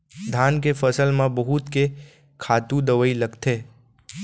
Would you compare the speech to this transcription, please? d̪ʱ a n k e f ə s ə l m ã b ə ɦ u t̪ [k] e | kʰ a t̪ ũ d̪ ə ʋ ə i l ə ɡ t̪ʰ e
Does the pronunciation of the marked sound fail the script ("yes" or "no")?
no